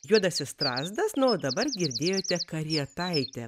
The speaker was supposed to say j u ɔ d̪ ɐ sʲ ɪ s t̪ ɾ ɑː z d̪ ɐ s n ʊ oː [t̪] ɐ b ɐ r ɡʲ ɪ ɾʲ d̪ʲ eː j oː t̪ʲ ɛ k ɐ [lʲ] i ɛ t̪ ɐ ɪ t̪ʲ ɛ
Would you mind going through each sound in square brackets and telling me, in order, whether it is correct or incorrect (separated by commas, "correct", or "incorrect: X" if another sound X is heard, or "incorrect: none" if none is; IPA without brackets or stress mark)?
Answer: incorrect: d̪, incorrect: ɾʲ